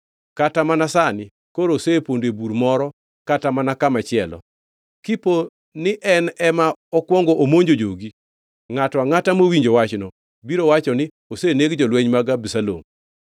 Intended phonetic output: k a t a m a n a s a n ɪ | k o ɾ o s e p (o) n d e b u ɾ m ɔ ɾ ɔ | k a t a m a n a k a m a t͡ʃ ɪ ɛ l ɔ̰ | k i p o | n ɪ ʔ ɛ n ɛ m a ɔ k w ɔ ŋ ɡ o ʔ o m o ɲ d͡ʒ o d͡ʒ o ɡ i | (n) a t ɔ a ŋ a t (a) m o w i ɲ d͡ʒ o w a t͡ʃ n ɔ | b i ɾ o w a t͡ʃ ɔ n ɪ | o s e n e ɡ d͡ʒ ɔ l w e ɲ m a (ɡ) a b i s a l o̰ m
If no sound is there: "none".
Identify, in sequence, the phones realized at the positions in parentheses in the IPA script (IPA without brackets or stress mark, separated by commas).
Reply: o, ŋ, a, ɡ